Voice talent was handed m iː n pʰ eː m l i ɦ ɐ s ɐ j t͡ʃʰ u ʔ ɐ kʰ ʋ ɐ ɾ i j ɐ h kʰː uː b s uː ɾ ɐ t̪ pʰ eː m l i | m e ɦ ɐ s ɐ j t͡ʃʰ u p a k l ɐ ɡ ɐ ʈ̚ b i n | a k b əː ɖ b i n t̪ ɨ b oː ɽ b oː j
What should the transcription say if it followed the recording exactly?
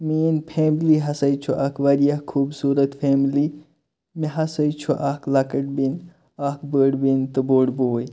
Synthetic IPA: m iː n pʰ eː m l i ɦ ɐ s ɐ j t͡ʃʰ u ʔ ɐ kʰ ʋ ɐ ɾ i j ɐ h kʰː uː b s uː ɾ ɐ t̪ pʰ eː m l i | m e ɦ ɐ s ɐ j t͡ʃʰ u ʔ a k l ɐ k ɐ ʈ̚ b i n | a k b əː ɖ b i n t̪ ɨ b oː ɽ b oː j

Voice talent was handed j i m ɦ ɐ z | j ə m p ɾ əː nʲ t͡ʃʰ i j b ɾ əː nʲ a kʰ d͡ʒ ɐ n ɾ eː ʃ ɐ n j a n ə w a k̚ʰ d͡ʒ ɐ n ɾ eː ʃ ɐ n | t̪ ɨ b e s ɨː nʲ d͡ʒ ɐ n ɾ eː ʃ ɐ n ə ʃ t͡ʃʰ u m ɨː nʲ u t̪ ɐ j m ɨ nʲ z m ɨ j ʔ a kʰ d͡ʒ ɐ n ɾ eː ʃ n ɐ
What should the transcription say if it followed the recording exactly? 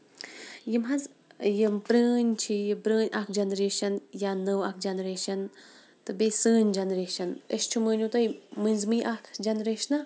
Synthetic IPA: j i m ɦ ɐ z | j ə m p ɾ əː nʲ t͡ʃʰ i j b ɾ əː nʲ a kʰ d͡ʒ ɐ n ɾ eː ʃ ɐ n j a n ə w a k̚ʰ d͡ʒ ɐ n ɾ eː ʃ ɐ n | t̪ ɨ b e s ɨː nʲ d͡ʒ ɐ n ɾ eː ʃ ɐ n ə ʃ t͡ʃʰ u m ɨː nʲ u t̪ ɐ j m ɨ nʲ z m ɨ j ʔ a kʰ d͡ʒ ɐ n ɾ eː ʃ n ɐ

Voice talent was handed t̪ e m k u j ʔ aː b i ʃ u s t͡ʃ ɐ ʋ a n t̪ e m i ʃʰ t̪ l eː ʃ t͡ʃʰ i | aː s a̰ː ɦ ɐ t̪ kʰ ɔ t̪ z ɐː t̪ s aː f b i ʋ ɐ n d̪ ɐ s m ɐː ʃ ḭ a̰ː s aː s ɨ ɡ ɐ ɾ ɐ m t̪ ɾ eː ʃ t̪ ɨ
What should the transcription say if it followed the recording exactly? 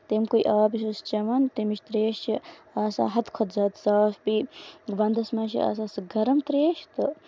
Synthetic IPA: t̪ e m k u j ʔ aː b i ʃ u s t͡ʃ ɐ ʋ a n t̪ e m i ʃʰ t̪ ɾ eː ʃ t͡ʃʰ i | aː s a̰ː ɦ ɐ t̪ kʰ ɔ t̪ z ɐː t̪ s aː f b i ʋ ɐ n d̪ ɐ s m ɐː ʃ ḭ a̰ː s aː s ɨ ɡ ɐ ɾ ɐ m t̪ ɾ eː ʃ t̪ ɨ

